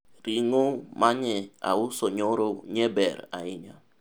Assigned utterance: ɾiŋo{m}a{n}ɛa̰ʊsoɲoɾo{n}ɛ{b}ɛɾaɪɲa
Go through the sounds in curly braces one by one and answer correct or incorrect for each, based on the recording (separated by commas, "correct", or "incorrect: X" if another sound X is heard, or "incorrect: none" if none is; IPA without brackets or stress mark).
correct, incorrect: ɲ, incorrect: ɲ, correct